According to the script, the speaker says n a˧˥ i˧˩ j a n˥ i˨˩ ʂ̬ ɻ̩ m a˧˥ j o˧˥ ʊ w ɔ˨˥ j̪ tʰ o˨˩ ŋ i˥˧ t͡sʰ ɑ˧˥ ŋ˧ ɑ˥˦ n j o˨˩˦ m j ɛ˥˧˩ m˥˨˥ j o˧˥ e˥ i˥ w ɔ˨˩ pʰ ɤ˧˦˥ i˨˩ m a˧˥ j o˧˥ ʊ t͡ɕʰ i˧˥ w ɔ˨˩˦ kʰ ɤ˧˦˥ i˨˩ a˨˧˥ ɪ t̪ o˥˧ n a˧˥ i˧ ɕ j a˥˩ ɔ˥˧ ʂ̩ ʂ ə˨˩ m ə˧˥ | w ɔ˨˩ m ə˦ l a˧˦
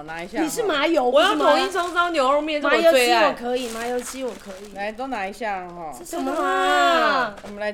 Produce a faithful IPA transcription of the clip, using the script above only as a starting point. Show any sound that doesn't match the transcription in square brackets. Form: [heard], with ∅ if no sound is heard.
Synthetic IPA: n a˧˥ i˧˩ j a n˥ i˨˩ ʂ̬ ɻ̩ m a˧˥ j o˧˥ ʊ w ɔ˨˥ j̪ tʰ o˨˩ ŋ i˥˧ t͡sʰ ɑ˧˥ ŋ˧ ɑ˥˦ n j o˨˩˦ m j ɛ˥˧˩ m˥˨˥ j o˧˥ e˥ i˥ w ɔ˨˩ [kʰ] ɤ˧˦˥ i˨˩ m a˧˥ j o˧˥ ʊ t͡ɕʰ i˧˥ w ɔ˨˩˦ kʰ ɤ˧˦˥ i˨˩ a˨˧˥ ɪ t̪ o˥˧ n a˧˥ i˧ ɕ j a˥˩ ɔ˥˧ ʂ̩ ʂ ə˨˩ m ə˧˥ | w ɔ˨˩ m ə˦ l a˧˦